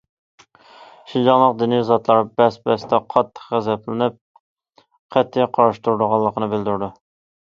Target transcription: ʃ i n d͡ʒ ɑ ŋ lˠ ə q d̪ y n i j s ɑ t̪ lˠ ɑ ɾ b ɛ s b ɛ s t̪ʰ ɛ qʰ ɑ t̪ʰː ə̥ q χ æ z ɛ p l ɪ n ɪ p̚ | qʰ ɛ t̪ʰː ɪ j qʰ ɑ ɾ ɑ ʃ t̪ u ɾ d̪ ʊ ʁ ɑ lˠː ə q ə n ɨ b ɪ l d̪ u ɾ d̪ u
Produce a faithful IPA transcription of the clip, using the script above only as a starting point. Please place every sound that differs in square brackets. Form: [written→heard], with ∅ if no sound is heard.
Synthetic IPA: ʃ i n d͡ʒ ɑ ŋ lˠ ə q d̪ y n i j [s→z] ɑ t̪ lˠ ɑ ɾ b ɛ s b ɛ s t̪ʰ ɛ qʰ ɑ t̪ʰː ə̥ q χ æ z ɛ p l ɪ n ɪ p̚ | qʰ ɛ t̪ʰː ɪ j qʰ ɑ ɾ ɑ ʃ t̪ u ɾ d̪ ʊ ʁ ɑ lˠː ə q ə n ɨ b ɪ l d̪ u ɾ d̪ u